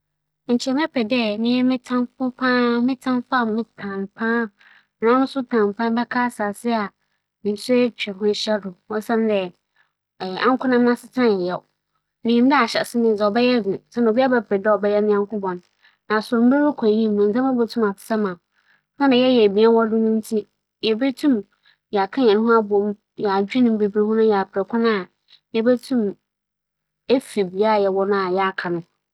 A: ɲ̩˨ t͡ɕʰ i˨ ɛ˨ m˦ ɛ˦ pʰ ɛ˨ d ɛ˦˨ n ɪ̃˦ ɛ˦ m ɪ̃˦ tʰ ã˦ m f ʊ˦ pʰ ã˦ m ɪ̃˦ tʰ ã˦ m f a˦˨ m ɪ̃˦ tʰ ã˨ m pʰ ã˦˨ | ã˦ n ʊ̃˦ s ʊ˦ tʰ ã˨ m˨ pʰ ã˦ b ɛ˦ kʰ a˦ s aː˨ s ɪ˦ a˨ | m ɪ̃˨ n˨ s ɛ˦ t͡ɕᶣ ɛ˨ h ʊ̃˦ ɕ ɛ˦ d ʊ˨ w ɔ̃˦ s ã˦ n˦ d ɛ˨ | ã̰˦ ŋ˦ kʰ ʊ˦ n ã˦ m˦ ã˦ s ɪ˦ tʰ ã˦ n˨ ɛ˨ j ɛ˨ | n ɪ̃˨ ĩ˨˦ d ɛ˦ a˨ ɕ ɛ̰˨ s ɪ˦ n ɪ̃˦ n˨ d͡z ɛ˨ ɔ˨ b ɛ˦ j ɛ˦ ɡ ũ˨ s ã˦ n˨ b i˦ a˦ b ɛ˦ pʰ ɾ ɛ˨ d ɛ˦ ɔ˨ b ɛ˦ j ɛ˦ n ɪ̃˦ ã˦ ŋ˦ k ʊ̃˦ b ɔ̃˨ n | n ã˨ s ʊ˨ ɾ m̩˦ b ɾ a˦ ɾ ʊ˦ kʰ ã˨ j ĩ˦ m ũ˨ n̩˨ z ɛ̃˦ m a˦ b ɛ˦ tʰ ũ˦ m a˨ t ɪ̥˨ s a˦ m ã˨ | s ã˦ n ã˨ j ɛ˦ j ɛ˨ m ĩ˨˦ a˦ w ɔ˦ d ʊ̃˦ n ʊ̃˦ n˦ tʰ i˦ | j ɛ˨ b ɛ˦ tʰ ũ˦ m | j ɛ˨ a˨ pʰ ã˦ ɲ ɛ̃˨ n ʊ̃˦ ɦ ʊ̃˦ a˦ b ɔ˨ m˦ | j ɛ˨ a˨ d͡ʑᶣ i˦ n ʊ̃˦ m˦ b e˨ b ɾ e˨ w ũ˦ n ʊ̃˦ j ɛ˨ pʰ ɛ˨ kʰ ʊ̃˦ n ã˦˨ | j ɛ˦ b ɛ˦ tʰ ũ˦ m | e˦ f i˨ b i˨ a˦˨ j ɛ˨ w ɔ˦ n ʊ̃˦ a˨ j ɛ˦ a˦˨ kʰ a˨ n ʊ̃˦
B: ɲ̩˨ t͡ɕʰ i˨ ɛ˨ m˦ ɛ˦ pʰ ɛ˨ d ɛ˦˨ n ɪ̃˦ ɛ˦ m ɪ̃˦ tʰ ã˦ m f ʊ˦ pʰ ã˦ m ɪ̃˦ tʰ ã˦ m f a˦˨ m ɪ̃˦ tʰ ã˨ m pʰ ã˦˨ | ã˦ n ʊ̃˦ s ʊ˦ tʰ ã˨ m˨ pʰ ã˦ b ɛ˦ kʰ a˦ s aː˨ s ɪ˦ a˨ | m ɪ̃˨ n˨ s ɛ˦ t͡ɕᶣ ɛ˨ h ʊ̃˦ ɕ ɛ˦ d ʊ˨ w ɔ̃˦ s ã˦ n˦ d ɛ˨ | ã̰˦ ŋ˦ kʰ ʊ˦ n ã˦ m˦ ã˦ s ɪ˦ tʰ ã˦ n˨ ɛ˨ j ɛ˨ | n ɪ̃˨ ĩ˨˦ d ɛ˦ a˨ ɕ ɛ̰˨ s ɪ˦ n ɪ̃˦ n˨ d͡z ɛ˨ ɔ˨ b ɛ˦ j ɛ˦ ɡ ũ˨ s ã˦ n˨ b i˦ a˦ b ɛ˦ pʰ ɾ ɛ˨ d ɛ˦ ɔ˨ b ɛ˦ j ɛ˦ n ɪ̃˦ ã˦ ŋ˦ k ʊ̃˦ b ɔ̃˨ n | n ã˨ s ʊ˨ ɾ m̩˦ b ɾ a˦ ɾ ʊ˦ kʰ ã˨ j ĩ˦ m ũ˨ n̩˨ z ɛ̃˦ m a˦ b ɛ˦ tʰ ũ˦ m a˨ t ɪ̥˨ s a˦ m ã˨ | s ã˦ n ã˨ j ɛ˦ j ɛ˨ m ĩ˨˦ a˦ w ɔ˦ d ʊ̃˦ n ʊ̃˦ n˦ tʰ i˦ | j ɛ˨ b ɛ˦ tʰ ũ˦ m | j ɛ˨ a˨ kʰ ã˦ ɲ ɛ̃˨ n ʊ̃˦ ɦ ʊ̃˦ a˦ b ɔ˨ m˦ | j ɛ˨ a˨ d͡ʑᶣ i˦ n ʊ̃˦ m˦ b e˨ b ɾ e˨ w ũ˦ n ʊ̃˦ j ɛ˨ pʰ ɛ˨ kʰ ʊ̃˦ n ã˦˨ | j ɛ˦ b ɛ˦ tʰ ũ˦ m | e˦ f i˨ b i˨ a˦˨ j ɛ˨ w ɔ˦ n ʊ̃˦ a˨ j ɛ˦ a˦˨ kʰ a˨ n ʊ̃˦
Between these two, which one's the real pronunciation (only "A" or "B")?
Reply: B